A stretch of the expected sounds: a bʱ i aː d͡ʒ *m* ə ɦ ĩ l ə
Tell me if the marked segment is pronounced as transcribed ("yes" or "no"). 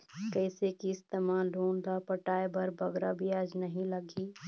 no